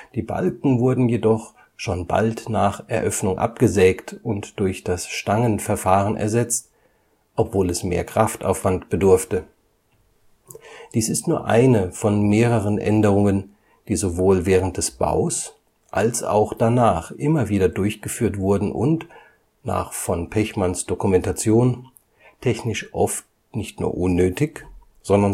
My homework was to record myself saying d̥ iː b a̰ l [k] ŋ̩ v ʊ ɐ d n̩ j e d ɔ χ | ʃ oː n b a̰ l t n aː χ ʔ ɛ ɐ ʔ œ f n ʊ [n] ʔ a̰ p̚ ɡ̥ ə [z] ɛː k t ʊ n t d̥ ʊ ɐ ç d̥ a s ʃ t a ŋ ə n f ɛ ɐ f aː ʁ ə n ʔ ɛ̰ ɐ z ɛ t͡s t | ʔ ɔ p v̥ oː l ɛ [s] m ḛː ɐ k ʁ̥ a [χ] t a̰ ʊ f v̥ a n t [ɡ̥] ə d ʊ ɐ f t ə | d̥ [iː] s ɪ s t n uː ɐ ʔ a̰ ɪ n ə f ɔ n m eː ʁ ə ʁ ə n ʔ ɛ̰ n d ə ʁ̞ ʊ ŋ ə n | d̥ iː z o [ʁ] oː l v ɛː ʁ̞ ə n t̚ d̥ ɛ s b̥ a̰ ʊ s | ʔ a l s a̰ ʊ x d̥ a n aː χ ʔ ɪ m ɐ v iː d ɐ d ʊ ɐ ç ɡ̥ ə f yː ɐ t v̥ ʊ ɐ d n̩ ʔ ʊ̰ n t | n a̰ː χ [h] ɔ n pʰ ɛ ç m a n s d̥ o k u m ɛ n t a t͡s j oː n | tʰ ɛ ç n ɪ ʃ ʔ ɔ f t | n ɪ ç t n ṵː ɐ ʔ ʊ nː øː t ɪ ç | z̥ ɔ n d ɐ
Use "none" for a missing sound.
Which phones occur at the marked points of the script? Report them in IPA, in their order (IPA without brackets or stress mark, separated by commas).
k, ŋ, z, s, f, b̥, iː, v, f